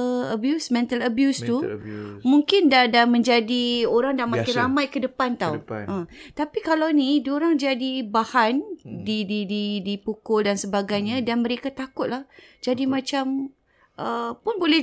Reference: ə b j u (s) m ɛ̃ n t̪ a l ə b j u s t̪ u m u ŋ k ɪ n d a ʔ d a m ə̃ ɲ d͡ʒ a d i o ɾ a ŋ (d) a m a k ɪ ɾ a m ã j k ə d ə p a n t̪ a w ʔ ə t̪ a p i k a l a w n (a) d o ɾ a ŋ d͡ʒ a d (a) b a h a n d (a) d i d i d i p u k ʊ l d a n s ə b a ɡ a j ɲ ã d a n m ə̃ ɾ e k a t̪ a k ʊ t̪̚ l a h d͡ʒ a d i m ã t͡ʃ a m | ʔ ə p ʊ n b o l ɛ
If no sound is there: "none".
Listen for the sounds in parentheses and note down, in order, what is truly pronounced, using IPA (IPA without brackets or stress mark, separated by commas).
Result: s, d, i, i, i